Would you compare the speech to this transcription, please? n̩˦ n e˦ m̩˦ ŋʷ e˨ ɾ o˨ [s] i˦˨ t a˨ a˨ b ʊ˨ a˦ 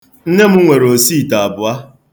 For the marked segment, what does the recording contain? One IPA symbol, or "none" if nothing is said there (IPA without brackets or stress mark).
s